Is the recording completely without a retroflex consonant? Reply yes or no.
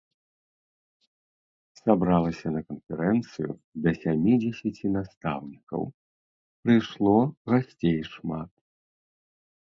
no